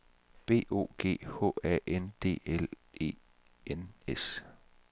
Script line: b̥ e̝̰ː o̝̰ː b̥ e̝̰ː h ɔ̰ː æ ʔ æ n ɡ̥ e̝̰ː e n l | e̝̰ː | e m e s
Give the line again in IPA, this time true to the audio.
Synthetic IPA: b̥ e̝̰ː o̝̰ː ɡ̥ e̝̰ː h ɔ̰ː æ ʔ e n d̥ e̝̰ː e l | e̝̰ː | e n e s